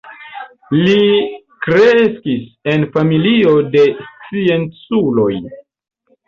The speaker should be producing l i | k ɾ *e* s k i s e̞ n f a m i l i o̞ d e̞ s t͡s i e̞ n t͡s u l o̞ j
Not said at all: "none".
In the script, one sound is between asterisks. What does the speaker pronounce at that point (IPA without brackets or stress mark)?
e